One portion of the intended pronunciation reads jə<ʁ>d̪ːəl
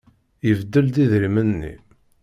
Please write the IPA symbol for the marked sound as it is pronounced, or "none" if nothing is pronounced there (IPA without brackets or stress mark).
v